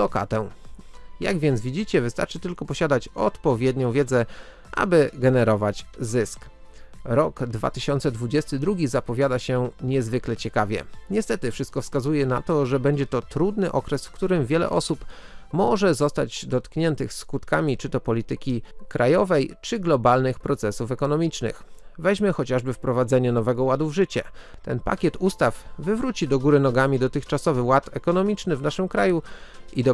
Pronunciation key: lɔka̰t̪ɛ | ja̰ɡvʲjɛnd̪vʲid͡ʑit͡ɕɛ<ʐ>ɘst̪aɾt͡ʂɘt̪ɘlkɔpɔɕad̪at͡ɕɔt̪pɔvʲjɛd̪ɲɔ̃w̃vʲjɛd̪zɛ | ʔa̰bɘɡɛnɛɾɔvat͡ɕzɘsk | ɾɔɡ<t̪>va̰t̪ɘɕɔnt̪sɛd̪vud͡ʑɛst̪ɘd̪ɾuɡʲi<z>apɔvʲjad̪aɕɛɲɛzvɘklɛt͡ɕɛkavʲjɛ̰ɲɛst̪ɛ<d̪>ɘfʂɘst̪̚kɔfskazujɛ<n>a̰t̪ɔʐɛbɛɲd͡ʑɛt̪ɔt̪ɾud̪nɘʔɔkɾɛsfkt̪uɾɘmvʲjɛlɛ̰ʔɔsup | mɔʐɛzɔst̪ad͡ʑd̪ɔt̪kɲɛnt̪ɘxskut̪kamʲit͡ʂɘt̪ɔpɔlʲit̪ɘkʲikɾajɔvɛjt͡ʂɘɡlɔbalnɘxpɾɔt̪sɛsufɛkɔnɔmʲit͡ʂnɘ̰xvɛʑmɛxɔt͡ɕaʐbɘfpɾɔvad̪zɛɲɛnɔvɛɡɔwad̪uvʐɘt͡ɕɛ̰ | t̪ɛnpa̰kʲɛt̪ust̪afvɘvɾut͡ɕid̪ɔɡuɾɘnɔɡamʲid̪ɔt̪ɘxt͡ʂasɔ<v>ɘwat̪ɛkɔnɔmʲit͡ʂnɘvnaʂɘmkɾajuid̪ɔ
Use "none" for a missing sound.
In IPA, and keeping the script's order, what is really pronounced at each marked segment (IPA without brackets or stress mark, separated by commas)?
v, d̪, z, t̪, n, v